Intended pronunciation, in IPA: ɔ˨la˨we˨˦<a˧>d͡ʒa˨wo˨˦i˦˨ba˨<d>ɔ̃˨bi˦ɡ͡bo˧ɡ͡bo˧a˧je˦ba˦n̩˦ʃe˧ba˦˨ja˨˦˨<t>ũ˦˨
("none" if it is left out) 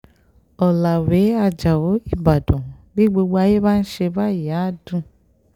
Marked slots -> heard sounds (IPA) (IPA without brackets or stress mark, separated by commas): a˧, d, d